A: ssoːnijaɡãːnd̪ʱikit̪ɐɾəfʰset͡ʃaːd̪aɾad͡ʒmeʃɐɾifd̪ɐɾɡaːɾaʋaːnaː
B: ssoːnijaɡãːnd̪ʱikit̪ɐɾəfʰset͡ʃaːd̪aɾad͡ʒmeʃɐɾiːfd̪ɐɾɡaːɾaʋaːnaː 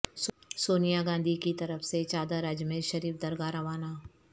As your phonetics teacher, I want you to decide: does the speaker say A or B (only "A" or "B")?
B